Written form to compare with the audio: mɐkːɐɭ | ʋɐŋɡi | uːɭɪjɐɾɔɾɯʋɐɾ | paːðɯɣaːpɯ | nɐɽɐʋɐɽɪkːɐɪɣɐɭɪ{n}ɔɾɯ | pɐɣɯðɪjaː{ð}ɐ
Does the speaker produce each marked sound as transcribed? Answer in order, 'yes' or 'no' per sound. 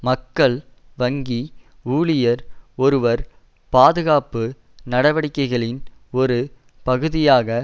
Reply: yes, no

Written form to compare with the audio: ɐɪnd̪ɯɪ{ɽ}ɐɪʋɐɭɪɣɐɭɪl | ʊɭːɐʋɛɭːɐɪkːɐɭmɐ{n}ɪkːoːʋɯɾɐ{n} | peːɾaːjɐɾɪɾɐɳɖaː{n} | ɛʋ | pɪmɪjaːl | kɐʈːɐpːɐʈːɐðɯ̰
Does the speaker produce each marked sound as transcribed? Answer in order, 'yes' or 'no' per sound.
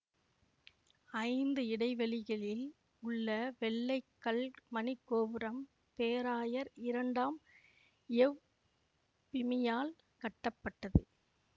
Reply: yes, yes, no, no

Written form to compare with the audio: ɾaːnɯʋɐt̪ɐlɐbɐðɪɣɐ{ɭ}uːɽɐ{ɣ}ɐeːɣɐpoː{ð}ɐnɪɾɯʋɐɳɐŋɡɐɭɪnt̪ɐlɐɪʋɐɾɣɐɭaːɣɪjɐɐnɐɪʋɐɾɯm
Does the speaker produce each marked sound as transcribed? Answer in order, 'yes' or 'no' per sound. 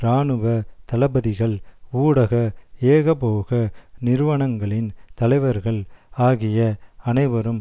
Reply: yes, yes, no

